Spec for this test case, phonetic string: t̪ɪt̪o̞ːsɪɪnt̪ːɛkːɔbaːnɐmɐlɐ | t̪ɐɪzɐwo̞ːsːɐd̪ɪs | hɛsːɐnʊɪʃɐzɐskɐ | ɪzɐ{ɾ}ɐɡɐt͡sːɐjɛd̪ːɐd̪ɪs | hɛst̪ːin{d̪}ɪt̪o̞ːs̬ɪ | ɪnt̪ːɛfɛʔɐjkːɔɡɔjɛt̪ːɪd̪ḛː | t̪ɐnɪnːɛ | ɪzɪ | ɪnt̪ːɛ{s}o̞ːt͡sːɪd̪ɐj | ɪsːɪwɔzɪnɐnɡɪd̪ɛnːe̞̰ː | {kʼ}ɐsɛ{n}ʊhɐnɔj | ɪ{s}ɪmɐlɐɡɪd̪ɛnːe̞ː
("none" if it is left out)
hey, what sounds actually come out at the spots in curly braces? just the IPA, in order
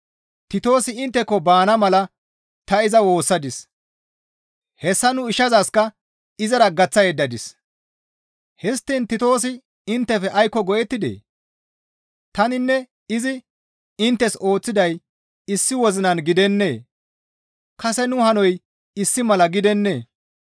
ɾ, t̪, s, k, n, sː

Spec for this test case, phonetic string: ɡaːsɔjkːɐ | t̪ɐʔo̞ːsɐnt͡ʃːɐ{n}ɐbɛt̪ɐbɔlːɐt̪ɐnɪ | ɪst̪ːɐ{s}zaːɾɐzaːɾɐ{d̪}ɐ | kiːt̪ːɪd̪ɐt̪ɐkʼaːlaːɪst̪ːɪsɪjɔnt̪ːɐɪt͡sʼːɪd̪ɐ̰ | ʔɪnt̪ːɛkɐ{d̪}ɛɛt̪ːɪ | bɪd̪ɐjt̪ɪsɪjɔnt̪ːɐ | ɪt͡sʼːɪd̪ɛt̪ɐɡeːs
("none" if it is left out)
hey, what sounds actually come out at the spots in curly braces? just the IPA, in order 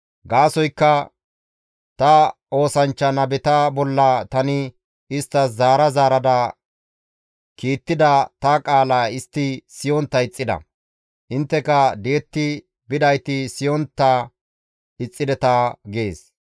n, s, d̪, d̪

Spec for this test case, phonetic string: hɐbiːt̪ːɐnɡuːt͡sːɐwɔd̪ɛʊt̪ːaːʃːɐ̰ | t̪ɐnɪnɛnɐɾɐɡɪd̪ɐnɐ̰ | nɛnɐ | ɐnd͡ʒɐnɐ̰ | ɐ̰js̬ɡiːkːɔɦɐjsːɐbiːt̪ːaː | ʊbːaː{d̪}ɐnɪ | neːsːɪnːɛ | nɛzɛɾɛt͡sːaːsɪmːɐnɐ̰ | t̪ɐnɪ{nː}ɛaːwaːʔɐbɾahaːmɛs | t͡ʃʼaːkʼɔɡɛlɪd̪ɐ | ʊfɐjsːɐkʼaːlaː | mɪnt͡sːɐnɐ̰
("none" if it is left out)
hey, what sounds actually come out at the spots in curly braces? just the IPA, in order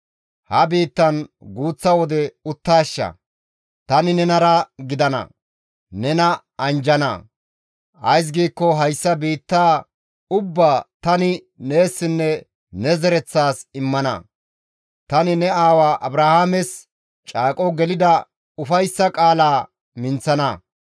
t̪, n

